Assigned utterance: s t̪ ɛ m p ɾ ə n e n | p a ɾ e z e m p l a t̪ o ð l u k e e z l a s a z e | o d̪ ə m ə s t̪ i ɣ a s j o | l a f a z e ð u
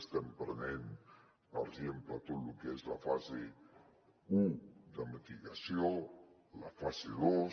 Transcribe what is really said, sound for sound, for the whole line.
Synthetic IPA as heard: s t̪ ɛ m p ɾ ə n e n | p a ɾ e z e m p l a t̪ o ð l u k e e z l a f a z e | u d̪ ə m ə t̪ i ɣ a s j o | l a f a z e ð o